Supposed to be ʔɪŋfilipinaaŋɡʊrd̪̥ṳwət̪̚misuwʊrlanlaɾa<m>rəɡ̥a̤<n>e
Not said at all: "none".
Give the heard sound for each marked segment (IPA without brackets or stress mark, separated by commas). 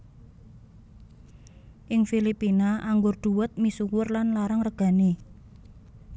ŋ, n